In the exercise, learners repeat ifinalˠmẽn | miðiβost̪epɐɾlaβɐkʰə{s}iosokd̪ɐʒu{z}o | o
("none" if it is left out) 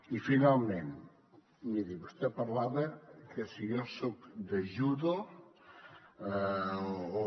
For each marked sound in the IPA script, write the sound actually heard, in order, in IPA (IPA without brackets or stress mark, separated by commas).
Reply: s, ð